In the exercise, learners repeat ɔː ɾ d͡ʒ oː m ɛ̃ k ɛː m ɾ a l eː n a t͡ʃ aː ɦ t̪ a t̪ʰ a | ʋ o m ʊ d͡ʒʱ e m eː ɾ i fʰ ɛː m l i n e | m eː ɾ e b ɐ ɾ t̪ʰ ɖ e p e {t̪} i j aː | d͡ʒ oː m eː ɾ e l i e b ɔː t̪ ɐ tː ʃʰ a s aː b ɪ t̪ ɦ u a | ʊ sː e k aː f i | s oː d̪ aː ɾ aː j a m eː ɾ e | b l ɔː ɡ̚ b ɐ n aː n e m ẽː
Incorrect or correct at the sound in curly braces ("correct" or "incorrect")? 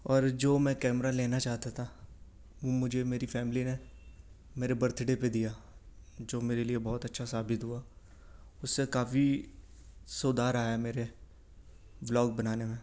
incorrect